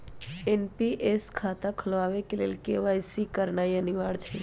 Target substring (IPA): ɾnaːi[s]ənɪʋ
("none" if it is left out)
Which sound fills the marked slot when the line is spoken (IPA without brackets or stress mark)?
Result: none